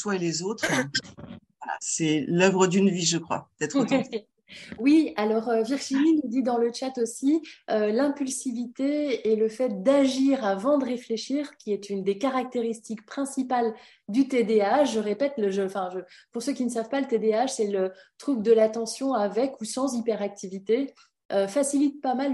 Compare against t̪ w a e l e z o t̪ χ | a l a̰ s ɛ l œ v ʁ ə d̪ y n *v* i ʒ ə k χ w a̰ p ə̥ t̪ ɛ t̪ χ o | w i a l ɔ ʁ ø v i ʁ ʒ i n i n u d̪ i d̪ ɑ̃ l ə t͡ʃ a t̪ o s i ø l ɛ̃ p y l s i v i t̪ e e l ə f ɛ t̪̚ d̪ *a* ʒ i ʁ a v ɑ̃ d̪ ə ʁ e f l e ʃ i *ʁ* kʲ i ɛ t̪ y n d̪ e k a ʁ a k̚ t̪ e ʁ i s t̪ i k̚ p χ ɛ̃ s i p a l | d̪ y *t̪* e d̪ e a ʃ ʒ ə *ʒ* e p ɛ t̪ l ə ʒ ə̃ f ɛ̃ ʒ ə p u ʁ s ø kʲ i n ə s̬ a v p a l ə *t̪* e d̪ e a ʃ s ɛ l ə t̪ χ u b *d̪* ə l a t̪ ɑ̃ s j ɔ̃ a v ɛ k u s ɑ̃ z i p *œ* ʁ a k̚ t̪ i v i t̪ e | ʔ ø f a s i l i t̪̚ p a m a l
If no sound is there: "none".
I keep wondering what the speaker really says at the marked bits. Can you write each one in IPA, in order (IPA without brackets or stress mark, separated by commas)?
v, a, ʁ, t̪, ʁ, t̪, d̪, ɛ